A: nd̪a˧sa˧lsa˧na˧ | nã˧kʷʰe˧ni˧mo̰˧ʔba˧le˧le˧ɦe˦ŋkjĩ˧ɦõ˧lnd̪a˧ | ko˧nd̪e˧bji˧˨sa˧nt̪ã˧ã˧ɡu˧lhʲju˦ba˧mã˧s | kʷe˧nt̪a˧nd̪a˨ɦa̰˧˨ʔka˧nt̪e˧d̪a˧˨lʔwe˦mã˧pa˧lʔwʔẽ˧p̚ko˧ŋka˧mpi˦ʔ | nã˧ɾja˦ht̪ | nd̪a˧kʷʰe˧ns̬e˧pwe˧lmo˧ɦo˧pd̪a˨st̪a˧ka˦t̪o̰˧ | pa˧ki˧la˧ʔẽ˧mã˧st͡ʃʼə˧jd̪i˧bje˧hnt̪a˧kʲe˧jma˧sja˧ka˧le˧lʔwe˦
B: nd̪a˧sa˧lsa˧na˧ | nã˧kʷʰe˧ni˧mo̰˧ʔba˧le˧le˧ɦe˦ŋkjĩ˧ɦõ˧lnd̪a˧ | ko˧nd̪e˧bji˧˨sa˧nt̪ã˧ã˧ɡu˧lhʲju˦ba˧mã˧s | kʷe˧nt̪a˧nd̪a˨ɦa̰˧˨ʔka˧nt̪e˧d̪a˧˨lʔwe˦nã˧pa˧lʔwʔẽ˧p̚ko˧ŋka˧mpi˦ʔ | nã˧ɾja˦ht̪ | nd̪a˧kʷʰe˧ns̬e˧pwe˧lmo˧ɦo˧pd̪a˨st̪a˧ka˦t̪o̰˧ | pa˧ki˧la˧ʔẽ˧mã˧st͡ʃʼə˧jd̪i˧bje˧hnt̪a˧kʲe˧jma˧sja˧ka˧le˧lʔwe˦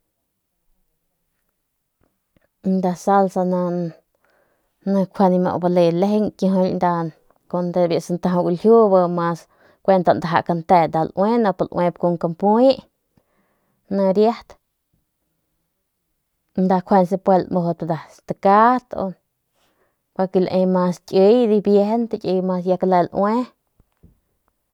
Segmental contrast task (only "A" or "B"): B